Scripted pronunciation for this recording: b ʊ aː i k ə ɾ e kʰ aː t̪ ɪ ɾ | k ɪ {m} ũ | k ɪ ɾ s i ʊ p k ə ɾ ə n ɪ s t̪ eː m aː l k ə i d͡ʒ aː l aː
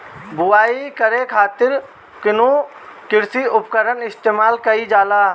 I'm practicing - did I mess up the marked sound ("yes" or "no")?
yes